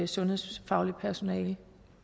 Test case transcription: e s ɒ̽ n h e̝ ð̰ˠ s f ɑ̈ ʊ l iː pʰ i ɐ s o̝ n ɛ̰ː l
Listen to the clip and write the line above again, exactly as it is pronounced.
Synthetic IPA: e s ɔ̽ n h e̝ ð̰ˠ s f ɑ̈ ʊ l i pʰ æ ɐ s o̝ n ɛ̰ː l